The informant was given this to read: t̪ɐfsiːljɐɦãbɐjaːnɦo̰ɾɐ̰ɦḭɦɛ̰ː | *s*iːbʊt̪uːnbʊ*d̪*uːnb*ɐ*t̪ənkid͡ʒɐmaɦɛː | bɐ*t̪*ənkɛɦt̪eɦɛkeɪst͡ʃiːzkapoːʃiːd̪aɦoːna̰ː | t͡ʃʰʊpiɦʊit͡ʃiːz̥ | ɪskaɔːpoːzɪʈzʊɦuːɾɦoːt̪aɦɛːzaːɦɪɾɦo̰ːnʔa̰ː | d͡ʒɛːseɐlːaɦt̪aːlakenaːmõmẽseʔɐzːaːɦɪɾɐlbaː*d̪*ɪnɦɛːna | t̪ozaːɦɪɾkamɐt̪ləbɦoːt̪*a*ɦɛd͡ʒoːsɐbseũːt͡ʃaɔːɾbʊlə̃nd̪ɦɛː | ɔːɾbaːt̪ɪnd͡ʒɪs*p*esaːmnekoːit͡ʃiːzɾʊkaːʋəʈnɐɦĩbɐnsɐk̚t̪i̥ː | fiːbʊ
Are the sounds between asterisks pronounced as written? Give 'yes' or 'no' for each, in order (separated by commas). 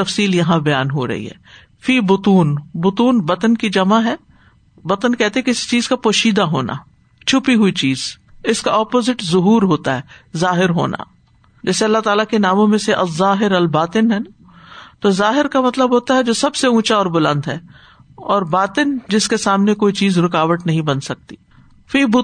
no, no, yes, yes, no, yes, no